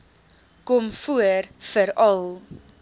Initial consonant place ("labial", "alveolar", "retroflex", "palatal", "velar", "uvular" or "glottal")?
velar